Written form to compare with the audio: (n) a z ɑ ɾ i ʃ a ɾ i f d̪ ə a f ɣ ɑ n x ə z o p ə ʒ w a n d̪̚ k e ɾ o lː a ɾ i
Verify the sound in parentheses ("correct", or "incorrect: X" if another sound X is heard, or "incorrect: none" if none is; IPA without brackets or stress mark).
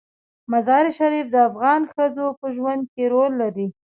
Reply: incorrect: m